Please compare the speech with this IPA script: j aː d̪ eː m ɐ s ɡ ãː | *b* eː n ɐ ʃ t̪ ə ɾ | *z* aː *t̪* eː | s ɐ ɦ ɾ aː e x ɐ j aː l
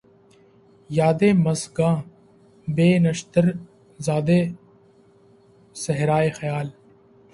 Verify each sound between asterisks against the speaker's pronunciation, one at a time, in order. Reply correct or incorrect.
correct, correct, incorrect: d̪

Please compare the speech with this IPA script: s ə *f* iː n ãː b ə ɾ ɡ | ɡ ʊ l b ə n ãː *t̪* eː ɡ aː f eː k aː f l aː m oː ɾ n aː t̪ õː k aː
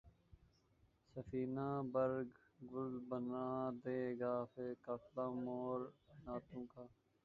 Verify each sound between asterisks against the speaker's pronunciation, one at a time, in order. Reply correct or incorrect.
correct, incorrect: d̪

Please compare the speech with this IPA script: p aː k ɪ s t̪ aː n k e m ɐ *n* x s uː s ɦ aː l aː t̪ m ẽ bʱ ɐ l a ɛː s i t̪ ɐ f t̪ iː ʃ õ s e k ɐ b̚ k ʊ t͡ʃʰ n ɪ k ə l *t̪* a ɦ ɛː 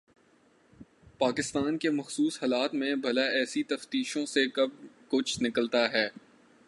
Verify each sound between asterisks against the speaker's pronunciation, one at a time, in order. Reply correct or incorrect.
incorrect: none, correct

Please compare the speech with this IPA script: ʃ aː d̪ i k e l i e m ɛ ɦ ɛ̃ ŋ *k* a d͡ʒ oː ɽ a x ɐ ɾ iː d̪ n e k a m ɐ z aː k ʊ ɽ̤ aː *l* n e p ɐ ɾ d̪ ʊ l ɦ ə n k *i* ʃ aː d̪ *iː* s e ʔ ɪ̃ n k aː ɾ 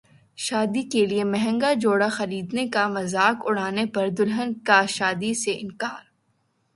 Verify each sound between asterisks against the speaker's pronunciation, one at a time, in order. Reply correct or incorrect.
incorrect: ɡ, incorrect: none, incorrect: a, incorrect: i

